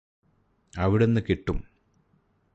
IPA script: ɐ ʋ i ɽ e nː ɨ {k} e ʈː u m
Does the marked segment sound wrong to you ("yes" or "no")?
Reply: no